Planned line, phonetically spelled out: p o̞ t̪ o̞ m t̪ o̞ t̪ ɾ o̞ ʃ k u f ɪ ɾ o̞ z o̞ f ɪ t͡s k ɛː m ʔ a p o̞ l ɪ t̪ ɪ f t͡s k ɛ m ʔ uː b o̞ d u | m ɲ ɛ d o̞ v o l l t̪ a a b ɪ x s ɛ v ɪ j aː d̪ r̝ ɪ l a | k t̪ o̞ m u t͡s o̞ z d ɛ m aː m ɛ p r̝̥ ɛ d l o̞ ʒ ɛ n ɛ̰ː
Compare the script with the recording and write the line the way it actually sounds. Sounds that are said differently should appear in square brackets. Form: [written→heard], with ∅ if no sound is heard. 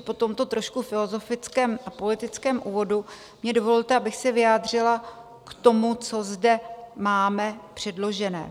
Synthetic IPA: p o̞ t̪ o̞ m t̪ o̞ t̪ ɾ o̞ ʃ k u f ɪ [ɾ→l] o̞ z o̞ f ɪ t͡s k ɛː m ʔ a p o̞ l ɪ t̪ ɪ [f→∅] t͡s k [ɛ→ɛː] m ʔ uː [b→v] o̞ d u | m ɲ ɛ d o̞ v o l l t̪ [a→ɛ] a b ɪ x s ɛ v ɪ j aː d̪ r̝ ɪ l a | k t̪ o̞ m u t͡s o̞ z d ɛ m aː m ɛ p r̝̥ ɛ d l o̞ ʒ ɛ n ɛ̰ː

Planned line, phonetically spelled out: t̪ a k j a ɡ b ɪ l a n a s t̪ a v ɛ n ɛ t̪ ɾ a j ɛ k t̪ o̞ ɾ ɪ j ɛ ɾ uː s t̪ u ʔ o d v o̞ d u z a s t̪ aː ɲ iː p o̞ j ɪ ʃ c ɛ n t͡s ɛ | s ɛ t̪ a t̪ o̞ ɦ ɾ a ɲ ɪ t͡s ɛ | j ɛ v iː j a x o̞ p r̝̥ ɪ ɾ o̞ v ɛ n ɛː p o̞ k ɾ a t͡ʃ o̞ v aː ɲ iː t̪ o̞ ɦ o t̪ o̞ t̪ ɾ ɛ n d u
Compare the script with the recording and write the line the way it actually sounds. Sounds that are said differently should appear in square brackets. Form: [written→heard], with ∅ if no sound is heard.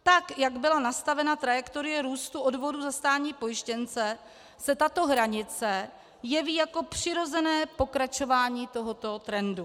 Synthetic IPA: t̪ a k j a ɡ b ɪ l a n a s t̪ a v ɛ n [ɛ→a] t̪ ɾ a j ɛ k t̪ o̞ ɾ ɪ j ɛ ɾ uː s t̪ u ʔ o d v o̞ d u z a s t̪ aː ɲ iː p o̞ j ɪ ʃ c ɛ n t͡s ɛ | s ɛ t̪ a t̪ o̞ ɦ ɾ a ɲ ɪ t͡s ɛ | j ɛ v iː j a [x→k] o̞ p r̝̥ ɪ ɾ o̞ [v→z] ɛ n ɛː p o̞ k ɾ a t͡ʃ o̞ v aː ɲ iː t̪ o̞ ɦ o t̪ o̞ t̪ ɾ ɛ n d u

